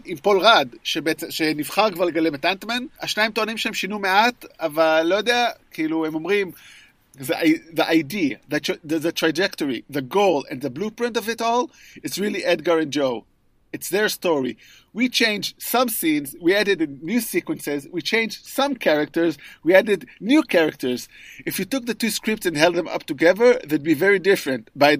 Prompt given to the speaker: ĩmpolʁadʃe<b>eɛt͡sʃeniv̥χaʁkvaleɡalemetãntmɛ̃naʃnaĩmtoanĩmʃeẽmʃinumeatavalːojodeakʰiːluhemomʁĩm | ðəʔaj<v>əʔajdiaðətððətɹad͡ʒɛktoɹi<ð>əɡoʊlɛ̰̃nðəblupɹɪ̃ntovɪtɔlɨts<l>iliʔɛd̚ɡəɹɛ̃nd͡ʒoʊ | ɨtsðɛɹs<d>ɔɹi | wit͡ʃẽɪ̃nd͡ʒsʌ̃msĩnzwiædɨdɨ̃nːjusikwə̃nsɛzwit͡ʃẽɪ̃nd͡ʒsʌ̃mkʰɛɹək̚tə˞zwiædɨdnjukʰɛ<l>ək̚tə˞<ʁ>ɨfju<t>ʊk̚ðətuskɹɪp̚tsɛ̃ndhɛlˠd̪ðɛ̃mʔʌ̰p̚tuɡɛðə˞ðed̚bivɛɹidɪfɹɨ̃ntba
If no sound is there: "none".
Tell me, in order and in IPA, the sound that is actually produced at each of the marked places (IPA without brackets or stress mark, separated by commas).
b, ð, ð, ɹ, t, ɹ, z, t